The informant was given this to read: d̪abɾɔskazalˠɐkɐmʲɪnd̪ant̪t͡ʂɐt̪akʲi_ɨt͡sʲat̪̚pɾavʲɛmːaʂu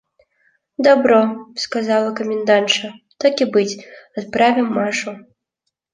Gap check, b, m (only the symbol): b